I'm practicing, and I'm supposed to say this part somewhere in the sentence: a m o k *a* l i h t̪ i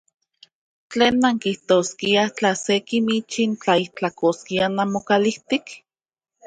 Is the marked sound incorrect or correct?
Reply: correct